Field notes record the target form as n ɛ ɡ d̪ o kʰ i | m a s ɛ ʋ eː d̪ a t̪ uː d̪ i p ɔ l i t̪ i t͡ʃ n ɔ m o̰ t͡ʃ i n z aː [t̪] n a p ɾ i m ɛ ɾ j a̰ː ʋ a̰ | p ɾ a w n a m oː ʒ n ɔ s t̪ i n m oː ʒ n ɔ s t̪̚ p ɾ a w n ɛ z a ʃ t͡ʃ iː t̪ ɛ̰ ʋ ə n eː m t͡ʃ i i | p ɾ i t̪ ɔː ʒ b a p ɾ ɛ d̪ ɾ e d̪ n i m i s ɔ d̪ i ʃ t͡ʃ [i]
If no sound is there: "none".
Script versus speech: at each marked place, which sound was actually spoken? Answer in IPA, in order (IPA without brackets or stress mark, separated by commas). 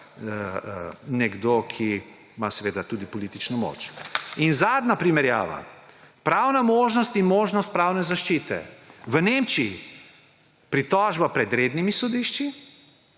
d̪, i